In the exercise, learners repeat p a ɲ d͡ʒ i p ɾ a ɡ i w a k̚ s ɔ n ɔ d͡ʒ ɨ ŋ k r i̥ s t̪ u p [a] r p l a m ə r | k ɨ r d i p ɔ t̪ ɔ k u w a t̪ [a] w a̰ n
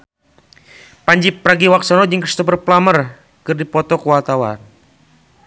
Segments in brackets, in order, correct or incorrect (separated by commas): incorrect, correct